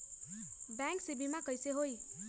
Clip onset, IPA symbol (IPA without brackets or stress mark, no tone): b